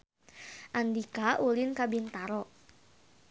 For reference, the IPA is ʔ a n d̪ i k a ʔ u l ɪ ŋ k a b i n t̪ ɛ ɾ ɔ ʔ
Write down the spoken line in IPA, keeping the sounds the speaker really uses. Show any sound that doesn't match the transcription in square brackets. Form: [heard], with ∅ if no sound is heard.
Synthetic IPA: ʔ a n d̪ i k a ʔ u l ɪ [n] k a b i n t̪ [a] ɾ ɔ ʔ